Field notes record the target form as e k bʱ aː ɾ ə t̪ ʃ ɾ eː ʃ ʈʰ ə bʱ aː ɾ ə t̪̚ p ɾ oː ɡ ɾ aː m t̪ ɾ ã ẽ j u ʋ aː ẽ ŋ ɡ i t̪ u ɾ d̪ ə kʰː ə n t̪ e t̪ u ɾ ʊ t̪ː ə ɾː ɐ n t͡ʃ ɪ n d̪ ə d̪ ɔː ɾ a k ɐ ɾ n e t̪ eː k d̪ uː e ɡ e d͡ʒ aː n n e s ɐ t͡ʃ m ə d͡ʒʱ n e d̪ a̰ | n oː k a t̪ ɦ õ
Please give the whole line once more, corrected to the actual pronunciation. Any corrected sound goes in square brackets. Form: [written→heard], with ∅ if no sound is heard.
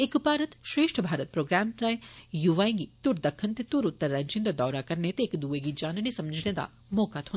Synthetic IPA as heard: e k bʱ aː ɾ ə t̪ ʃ ɾ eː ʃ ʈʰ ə bʱ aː ɾ ə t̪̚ p ɾ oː ɡ ɾ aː m t̪ ɾ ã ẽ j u ʋ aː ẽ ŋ ɡ i t̪ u ɾ d̪ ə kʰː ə n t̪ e t̪ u ɾ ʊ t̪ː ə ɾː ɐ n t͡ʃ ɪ n d̪ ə d̪ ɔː ɾ a k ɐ ɾ n e t̪ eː k d̪ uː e ɡ [e→i] d͡ʒ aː n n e s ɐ [t͡ʃ→∅] m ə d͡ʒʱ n e d̪ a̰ | [n→m] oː k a t̪ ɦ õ